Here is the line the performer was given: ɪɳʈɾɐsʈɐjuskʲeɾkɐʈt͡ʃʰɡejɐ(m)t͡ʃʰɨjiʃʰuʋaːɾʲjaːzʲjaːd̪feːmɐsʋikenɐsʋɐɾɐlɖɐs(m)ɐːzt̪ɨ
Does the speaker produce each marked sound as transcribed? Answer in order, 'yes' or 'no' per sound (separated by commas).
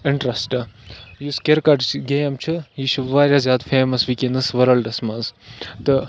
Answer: yes, yes